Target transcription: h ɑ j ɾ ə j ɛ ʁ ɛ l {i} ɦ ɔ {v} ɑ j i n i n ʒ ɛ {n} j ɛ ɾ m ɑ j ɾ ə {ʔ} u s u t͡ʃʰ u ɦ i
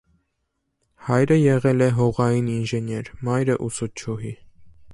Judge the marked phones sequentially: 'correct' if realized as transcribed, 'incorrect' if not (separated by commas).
incorrect, incorrect, correct, correct